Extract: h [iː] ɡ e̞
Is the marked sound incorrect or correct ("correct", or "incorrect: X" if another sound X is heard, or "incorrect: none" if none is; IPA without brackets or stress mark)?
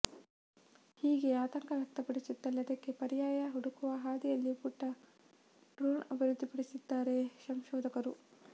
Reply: correct